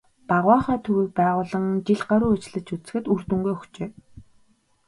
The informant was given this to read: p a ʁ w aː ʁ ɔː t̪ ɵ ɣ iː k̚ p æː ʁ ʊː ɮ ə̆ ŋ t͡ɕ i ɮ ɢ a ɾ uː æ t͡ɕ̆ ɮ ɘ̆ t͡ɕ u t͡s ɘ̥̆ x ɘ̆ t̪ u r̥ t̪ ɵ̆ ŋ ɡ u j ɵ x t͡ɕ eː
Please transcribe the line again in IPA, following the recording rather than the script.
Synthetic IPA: p a ʁ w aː χ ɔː t̪ʰ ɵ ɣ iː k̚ p æː ʁ ʊː ɮ ə̆ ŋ t͡ɕ i ɮ ɢ a ɾ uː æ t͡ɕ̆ ɮ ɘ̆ t͡ɕ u t͡s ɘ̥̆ x ɘ̆ t̪ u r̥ t̪ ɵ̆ ŋ ɡ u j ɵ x t͡ɕ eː